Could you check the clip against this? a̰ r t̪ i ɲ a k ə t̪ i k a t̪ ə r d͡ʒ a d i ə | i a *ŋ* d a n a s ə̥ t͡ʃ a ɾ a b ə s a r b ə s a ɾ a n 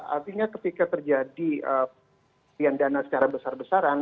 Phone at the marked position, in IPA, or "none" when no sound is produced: n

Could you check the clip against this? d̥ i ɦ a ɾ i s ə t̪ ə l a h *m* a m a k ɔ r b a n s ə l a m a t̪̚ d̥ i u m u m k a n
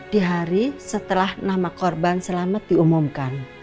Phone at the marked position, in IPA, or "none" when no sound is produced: n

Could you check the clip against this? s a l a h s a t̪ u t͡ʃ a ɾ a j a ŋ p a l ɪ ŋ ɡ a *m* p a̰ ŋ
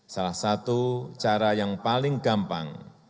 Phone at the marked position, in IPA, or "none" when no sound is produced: m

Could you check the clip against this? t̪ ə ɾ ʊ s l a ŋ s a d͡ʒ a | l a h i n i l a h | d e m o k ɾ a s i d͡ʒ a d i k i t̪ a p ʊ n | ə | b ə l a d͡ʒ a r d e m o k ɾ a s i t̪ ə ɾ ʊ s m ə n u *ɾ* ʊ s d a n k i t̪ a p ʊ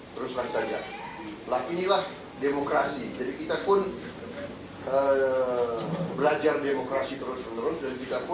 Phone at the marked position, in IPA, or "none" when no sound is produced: ɾ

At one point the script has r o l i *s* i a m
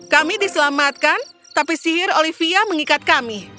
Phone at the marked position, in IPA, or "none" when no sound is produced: f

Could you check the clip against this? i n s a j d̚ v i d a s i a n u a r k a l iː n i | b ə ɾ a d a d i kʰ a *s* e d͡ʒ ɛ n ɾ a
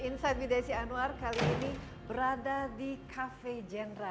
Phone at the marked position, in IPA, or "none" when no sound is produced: f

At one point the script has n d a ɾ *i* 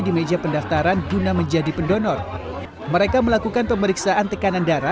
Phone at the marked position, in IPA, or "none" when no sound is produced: a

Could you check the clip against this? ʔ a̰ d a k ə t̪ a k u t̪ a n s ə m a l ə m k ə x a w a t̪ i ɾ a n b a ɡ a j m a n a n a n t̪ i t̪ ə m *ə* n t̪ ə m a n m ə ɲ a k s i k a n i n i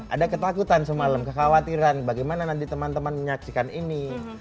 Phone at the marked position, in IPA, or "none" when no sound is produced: a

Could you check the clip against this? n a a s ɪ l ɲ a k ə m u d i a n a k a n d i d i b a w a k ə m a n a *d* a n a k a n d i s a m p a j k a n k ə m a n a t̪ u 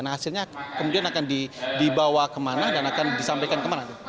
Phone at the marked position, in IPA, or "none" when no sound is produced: d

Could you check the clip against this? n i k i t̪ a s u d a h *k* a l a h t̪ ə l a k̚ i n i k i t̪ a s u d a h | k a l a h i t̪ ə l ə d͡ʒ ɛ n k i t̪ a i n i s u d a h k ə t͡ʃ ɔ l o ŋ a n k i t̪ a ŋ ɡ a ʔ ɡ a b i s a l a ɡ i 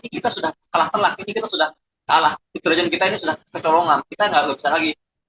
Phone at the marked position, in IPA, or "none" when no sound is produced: k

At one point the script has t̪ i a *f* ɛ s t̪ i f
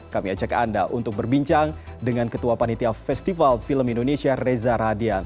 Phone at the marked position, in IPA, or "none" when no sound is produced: f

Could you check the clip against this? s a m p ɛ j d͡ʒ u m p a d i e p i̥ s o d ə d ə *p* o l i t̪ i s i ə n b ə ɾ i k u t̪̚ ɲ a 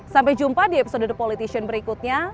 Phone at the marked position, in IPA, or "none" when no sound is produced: p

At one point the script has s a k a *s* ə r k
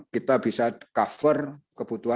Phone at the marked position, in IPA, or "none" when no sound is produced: f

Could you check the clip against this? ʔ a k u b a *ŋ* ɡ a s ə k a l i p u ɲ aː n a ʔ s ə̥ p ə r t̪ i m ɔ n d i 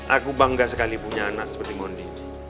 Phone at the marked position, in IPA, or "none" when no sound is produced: ŋ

